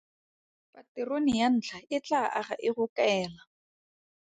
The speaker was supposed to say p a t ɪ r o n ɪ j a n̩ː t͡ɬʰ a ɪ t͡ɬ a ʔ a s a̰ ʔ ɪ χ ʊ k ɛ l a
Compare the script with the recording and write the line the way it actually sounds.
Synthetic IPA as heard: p a t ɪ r o n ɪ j a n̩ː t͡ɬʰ a ɪ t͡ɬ a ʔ a χ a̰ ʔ ɪ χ ʊ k ɛː l a